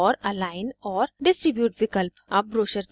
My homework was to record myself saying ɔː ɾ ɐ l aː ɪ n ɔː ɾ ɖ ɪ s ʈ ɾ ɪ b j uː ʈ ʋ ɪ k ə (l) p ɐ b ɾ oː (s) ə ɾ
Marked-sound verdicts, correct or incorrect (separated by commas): correct, incorrect